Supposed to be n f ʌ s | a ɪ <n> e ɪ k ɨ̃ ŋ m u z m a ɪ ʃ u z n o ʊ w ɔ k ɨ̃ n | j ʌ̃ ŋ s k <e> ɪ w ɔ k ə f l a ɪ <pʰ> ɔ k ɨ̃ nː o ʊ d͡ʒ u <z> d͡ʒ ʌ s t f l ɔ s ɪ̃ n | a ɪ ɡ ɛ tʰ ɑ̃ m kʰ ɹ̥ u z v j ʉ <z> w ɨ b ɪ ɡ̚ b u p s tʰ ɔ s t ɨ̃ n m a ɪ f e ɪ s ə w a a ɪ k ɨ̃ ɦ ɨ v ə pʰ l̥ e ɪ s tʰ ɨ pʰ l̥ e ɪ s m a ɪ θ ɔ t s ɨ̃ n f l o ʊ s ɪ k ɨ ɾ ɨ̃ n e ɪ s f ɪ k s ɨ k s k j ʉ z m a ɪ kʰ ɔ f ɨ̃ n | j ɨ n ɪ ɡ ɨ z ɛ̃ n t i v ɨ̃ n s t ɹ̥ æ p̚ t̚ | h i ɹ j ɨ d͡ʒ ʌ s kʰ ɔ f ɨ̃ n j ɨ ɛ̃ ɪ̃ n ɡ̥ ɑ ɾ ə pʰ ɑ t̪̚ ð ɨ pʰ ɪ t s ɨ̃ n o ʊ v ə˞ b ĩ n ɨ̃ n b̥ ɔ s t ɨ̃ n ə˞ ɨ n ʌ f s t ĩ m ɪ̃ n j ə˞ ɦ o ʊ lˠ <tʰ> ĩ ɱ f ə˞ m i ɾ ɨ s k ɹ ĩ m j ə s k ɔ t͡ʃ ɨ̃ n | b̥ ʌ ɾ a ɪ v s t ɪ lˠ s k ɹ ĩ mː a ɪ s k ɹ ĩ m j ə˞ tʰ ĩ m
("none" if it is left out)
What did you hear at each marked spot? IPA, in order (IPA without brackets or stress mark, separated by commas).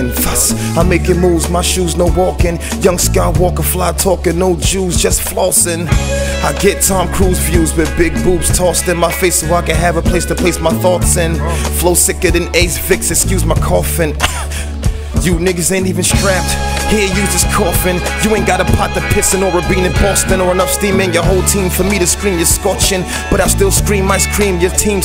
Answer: m, a, tʰ, z, z, tʰ